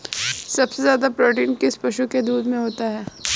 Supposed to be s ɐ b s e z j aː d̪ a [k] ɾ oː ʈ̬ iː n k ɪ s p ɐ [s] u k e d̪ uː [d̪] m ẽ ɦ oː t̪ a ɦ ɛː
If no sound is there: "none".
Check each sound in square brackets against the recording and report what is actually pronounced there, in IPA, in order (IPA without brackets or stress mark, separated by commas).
p, ʃ, d̪